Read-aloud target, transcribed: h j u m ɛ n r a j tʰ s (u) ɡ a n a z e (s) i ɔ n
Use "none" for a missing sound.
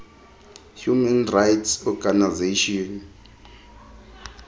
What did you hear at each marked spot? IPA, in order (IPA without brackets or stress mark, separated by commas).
ɔ, ʃ